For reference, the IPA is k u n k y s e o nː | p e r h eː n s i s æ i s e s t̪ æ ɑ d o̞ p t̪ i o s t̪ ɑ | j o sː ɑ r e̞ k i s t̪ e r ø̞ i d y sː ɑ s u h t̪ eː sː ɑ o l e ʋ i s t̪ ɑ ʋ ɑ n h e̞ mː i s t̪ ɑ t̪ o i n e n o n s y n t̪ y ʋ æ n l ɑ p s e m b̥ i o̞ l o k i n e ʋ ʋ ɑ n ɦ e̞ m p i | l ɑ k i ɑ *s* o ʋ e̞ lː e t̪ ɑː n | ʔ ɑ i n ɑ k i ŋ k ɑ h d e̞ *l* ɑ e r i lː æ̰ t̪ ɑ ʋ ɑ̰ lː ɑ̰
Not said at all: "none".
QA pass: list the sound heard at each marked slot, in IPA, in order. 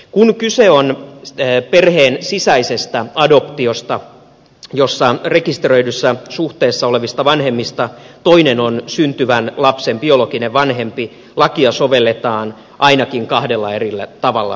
s, lː

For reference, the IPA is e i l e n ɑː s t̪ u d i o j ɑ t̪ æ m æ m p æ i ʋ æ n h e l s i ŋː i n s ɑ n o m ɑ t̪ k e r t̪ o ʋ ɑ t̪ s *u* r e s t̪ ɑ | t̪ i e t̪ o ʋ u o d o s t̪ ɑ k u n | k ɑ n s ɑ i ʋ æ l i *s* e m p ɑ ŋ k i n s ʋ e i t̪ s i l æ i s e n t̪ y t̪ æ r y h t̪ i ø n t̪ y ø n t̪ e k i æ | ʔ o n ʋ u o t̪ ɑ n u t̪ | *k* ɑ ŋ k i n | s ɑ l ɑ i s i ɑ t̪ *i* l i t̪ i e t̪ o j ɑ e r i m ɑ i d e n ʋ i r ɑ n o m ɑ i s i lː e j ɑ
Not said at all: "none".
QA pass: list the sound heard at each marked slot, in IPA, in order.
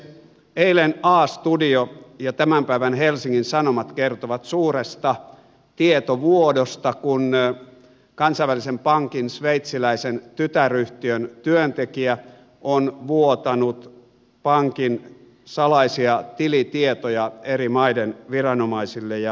uː, s, p, i

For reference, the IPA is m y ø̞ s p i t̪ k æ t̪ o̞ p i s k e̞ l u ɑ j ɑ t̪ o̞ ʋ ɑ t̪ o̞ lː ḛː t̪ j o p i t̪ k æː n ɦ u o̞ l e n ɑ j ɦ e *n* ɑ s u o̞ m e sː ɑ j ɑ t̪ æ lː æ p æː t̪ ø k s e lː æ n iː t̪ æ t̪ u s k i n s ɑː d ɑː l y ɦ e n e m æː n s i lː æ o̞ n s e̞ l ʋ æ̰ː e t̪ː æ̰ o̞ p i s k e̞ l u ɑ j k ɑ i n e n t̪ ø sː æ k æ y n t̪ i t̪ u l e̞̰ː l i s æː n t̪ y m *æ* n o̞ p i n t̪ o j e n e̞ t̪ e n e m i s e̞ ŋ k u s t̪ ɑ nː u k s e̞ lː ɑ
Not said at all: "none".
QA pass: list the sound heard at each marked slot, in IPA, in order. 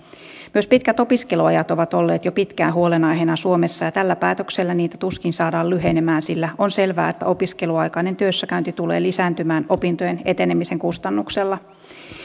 n, æː

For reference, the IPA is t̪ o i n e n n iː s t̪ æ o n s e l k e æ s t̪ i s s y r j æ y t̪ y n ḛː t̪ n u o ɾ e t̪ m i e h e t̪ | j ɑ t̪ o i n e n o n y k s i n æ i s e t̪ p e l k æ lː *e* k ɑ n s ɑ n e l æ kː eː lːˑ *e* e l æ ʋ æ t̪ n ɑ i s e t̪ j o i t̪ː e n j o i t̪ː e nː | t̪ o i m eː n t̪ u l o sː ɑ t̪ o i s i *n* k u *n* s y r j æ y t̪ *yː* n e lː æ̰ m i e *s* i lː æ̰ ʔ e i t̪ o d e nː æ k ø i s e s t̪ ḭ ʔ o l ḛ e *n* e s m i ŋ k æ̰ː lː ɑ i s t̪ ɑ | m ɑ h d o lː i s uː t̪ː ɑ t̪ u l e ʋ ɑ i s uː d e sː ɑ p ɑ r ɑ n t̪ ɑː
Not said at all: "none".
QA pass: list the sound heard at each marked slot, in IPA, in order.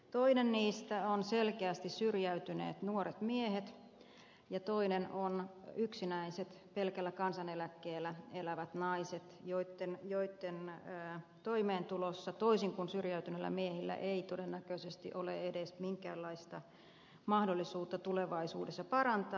æ, æ, ŋ, n, y, h, d

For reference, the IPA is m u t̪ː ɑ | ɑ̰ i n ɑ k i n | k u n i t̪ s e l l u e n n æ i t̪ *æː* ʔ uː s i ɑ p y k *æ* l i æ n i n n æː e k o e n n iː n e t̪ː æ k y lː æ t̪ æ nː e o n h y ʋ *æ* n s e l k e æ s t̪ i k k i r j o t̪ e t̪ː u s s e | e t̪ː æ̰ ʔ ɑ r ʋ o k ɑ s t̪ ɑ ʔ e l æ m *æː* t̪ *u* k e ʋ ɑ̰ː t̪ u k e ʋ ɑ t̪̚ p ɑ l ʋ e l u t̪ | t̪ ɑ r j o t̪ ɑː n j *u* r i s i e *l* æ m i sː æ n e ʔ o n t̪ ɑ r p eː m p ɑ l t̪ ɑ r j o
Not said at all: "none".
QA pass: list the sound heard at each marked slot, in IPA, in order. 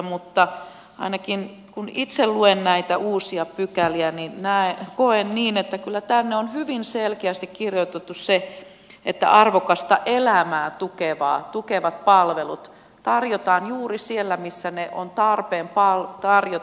æ, æ, i, æː, u, uː, lː

